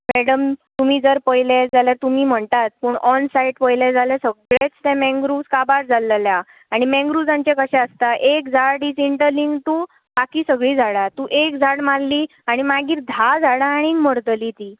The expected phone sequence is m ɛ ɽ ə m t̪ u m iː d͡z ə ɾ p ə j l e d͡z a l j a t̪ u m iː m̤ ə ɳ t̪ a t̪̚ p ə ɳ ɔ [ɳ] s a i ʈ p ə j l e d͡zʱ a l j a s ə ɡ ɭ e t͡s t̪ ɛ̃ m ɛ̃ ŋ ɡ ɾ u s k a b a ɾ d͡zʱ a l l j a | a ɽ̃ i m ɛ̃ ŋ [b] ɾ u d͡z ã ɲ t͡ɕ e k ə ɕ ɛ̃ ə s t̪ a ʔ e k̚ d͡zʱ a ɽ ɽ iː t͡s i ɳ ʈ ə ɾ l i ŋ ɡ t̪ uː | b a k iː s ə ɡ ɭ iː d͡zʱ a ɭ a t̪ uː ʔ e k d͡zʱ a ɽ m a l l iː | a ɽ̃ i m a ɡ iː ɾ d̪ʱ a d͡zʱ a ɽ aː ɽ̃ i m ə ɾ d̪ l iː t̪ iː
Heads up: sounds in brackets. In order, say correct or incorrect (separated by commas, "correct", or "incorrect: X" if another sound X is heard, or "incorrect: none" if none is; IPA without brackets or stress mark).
incorrect: n, incorrect: ɡ